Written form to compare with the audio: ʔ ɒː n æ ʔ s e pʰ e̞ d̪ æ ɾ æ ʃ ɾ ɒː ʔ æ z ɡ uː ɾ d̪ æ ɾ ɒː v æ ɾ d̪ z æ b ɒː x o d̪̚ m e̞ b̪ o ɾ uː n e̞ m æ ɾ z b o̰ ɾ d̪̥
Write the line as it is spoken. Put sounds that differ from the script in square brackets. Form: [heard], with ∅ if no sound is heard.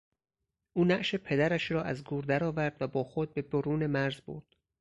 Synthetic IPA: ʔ [uː] n æ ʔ [ʃ] e pʰ e̞ d̪ æ ɾ æ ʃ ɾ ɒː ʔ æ z ɡ uː ɾ d̪ æ ɾ ɒː v æ ɾ d̪ [v] æ b ɒː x o d̪̚ [b] e̞ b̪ o ɾ uː n e̞ m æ ɾ z b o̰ ɾ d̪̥